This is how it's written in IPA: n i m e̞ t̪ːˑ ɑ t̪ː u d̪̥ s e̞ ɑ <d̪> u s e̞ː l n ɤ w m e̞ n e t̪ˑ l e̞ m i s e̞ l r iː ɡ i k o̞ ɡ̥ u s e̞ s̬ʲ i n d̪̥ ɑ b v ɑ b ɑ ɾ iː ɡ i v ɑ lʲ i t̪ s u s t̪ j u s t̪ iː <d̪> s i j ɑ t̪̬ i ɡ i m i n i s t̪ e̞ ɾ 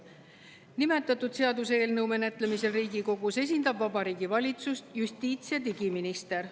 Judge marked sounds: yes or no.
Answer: yes, no

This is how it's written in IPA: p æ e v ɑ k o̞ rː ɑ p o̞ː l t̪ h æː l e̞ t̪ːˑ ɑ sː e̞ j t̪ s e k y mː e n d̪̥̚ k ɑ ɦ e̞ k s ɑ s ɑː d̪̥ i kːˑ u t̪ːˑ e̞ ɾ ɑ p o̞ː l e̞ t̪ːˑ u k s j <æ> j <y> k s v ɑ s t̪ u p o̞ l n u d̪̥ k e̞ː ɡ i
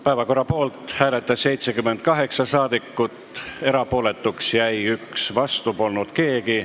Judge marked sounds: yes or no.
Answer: yes, yes

